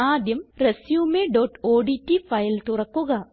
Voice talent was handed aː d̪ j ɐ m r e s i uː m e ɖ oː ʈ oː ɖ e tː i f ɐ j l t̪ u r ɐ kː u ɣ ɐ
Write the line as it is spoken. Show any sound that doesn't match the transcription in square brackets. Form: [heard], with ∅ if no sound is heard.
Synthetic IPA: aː d̪ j ɐ m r e s [j] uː m e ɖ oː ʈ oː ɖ [i] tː i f ɐ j l t̪ u r ɐ kː u ɣ ɐ